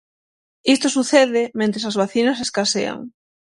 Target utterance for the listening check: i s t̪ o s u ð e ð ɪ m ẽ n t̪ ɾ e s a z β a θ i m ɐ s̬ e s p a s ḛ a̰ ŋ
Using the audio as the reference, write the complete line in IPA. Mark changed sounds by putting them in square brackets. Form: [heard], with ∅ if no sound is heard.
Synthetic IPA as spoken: i s t̪ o s u [θ] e ð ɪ m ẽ n t̪ ɾ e s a z β a θ i [n] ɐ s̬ e s [k] a s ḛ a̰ ŋ